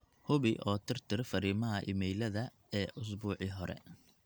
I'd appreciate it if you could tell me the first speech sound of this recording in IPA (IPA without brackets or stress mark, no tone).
h